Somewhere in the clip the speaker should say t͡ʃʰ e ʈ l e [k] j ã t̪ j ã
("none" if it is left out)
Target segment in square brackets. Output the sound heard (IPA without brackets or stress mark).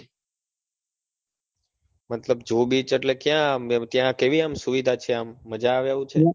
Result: k